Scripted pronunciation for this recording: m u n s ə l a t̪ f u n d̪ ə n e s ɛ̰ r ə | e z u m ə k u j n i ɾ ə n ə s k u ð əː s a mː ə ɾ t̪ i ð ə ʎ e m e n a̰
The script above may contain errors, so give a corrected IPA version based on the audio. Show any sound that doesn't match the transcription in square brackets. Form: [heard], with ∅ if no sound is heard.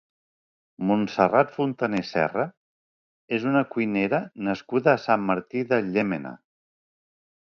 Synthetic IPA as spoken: m u n s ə [r] a t̪ f u n [t̪] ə n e s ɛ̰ r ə | e z u [n] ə k u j n [e] ɾ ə n ə s k u ð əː s a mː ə ɾ t̪ i ð ə ʎ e m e n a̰